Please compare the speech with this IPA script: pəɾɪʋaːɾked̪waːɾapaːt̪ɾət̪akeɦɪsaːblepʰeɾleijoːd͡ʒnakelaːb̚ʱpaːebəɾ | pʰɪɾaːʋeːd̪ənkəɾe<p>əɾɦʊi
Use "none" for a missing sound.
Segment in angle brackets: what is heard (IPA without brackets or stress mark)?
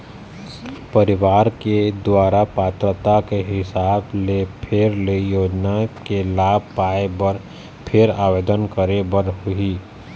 b